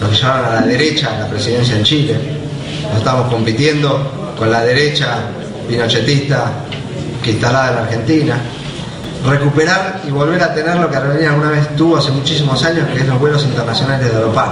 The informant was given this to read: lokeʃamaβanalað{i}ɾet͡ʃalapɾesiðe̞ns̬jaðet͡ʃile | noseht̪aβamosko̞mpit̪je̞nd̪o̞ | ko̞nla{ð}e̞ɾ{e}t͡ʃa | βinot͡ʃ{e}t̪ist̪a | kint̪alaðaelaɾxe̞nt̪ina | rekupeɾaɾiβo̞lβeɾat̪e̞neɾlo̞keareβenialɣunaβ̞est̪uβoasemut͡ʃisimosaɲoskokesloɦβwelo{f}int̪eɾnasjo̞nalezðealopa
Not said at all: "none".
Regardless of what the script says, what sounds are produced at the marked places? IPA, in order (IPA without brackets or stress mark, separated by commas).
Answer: e, ð, e, e, s